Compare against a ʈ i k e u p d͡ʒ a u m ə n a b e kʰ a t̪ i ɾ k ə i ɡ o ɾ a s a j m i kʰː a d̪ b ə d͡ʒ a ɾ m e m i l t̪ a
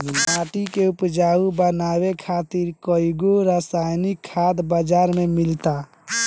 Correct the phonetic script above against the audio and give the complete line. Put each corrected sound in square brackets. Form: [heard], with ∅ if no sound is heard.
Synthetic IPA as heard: a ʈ i k e u p d͡ʒ a u [b] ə n a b e kʰ a t̪ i ɾ k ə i ɡ o ɾ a s a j [n] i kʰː a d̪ b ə d͡ʒ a ɾ m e m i l t̪ a